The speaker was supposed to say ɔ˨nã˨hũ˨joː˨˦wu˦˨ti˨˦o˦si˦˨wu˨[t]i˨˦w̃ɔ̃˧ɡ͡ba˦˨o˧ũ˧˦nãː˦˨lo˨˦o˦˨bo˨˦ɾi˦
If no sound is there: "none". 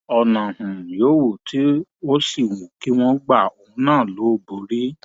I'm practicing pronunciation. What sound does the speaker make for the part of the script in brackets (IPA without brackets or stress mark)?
k